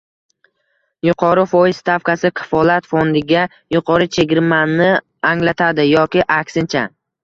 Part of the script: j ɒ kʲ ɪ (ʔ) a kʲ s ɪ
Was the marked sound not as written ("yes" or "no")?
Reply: no